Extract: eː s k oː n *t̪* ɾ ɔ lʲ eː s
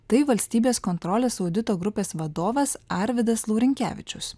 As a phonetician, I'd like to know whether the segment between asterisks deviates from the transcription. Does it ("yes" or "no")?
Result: no